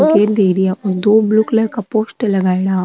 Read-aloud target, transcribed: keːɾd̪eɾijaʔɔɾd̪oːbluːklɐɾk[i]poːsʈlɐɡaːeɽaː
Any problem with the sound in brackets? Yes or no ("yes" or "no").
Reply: yes